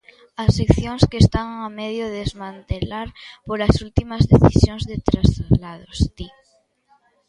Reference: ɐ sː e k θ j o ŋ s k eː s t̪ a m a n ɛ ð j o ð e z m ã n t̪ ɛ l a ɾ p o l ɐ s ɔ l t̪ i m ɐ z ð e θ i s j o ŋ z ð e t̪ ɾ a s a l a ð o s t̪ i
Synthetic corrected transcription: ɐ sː e k θ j o ŋ s k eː s t̪ a ŋ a m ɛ ð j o ð e z m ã n t̪ e l a ɾ p o l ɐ s u l t̪ i m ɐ z ð e θ i s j o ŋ z ð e t̪ ɾ a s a l a ð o s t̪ i